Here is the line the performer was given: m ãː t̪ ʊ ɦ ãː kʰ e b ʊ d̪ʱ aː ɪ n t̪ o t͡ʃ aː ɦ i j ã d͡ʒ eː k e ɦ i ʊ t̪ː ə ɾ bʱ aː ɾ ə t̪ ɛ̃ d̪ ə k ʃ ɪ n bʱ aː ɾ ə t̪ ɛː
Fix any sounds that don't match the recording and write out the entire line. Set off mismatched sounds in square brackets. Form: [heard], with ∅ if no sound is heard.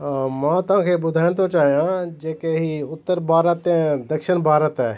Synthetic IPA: m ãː t̪ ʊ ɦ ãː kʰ e b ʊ d̪ʱ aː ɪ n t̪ o t͡ʃ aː ɦ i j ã d͡ʒ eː k e ɦ i ʊ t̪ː ə ɾ bʱ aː ɾ ə t̪ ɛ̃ d̪ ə k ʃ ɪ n bʱ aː ɾ ə t̪ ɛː